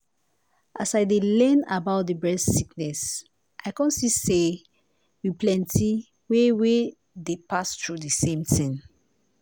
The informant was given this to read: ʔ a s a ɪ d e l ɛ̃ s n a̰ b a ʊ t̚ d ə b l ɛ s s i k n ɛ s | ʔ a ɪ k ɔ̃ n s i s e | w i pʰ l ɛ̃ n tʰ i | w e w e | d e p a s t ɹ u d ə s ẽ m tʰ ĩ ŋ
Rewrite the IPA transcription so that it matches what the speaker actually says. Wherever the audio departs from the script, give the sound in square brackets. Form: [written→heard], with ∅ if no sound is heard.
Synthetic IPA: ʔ a s a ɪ d e l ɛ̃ [s→∅] n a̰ b a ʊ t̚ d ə b [l→ɹ] ɛ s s i k n ɛ s | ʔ a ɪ k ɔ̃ n s i s e | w i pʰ l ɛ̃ n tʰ i | w e w e | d e p a s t ɹ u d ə s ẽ m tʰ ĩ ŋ